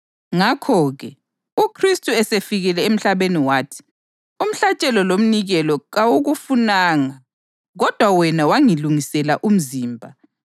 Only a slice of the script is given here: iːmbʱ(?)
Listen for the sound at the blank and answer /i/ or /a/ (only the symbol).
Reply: a